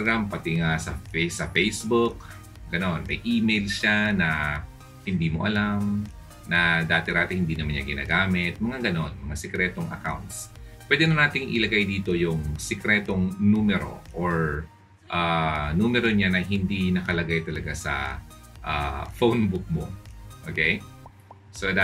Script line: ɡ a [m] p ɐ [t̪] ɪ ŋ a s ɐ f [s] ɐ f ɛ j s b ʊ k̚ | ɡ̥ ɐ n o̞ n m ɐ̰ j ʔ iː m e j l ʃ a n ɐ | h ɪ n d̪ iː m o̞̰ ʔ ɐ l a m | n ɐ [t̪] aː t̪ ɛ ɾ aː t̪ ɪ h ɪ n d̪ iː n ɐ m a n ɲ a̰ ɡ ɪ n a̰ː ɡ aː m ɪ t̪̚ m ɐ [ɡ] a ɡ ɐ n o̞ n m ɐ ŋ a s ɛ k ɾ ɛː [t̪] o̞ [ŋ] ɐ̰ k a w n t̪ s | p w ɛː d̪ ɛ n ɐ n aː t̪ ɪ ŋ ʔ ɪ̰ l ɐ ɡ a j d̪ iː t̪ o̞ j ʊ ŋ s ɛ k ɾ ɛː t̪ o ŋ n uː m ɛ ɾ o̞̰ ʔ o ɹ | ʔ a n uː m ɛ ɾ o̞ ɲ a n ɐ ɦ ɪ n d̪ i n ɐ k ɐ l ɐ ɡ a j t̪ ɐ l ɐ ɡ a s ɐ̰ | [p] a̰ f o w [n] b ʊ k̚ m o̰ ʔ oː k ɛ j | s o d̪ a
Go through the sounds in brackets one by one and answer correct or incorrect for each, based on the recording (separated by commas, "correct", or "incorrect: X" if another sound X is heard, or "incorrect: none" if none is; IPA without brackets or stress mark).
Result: correct, correct, correct, incorrect: d̪, incorrect: ŋ, correct, correct, incorrect: ʔ, correct